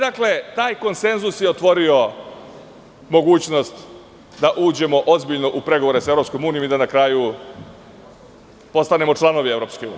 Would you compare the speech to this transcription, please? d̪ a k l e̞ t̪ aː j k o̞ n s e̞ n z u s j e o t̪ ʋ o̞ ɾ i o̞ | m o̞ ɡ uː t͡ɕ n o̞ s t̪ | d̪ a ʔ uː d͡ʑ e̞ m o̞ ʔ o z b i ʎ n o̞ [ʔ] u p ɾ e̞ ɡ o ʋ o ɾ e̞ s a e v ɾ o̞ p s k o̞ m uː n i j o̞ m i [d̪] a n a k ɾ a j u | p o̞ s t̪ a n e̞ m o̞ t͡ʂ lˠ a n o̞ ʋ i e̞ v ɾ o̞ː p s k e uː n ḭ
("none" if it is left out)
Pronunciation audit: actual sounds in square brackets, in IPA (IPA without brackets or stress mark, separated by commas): ʔ, d̪